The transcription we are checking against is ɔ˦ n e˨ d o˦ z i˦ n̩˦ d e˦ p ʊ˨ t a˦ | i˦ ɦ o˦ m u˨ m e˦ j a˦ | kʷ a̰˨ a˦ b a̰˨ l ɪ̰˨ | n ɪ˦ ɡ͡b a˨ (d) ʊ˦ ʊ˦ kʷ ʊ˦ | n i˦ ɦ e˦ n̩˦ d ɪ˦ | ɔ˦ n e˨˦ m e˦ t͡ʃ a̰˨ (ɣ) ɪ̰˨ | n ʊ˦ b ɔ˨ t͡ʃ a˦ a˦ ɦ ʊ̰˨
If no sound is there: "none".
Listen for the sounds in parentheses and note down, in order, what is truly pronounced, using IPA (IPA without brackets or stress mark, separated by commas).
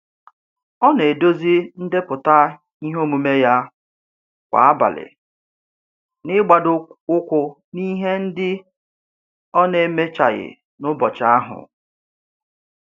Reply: d, ɣ